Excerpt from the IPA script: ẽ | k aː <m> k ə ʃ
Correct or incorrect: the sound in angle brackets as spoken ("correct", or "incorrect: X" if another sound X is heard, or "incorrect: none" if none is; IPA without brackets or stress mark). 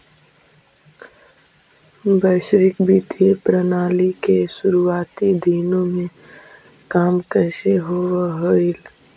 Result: correct